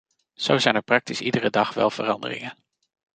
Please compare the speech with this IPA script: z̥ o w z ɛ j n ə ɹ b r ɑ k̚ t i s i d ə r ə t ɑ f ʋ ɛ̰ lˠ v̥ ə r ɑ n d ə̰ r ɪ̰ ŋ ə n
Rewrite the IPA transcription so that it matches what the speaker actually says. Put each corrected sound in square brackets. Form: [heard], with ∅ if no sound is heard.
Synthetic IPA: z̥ o w z ɛ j n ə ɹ [p] r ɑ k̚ t i s i d ə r ə [d] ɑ [χ] ʋ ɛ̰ lˠ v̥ ə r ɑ n d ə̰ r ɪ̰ ŋ ə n